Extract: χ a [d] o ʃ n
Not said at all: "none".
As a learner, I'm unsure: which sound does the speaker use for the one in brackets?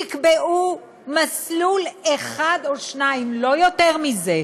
d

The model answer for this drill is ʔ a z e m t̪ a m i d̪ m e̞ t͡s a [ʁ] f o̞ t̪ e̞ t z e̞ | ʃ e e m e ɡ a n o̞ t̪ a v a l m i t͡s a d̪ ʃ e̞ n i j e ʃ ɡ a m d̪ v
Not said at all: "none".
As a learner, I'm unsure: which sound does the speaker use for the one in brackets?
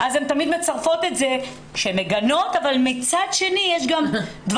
ʁ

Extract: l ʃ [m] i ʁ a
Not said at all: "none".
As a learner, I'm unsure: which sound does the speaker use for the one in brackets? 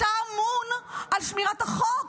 m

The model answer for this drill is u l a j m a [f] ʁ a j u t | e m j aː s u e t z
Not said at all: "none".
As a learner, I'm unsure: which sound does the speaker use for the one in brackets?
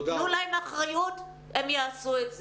χ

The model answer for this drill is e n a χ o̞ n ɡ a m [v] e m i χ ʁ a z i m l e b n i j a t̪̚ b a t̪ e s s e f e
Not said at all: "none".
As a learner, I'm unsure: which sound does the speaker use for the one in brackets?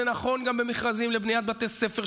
b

